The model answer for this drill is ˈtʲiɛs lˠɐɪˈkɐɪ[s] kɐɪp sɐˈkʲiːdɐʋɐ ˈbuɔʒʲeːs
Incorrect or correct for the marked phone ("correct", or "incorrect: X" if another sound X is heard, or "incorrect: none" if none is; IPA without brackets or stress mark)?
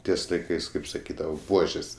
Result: correct